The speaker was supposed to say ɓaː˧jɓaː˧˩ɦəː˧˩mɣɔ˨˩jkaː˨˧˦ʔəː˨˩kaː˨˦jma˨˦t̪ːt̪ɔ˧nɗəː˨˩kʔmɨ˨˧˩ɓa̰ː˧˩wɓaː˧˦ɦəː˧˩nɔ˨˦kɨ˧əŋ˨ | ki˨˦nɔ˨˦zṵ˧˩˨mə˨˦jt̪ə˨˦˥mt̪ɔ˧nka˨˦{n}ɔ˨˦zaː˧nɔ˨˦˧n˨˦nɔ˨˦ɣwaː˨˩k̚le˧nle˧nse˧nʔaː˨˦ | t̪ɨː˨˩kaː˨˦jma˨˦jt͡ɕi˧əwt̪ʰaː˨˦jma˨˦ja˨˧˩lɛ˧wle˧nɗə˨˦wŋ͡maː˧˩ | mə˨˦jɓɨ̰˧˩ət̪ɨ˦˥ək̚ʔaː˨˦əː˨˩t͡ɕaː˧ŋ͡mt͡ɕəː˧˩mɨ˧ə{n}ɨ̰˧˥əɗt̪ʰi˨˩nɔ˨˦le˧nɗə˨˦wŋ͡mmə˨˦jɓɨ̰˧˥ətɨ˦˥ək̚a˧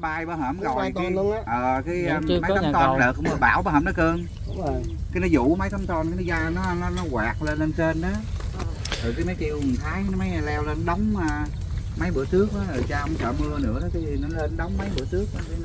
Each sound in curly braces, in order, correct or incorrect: correct, correct

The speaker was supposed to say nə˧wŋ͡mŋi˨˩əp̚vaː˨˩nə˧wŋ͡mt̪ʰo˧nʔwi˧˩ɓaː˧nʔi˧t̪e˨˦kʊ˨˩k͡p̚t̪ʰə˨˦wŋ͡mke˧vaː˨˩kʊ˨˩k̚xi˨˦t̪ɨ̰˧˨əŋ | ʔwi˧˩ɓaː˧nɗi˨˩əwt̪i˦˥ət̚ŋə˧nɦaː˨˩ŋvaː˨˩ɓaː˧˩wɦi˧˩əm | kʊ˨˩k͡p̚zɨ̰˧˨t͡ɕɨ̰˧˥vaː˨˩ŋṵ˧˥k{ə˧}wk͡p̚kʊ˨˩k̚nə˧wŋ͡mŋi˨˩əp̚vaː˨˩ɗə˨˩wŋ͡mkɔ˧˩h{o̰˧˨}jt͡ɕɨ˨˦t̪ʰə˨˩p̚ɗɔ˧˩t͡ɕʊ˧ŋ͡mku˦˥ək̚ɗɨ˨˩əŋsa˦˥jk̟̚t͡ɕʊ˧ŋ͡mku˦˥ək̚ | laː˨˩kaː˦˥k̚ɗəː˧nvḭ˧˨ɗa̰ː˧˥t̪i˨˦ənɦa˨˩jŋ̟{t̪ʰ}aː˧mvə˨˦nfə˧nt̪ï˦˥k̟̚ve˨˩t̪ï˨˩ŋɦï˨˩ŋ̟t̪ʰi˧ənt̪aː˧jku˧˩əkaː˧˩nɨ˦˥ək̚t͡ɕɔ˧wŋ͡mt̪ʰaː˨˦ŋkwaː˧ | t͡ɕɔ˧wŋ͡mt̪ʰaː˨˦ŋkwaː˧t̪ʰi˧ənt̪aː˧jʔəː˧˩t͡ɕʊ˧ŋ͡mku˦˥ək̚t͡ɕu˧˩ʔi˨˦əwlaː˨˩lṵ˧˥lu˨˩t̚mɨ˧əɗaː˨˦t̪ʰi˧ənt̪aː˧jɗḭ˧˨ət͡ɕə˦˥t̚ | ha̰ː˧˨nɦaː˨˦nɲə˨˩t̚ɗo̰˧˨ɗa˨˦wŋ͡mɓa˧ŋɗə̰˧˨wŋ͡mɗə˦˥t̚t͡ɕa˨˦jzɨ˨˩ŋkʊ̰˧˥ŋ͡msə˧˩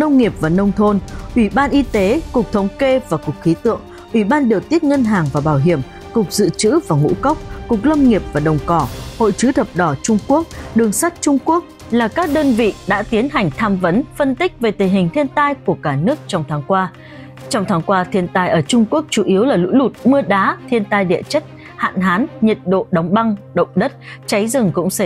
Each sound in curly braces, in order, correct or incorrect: incorrect: ə˦˥, correct, correct

